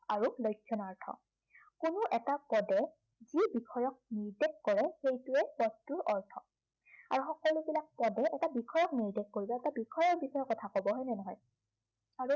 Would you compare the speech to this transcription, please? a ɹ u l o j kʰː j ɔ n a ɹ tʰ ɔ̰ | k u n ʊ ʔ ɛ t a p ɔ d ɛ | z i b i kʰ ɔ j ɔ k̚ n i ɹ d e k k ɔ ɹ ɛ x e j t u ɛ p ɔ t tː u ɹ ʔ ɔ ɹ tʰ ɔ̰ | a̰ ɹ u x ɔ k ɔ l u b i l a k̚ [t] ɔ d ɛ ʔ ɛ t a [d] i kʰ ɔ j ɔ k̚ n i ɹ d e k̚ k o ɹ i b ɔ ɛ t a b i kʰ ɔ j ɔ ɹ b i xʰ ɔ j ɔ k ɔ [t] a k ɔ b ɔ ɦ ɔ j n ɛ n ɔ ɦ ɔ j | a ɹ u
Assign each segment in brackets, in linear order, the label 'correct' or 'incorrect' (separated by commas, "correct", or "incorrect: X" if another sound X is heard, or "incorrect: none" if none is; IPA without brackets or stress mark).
incorrect: p, incorrect: b, incorrect: tʰ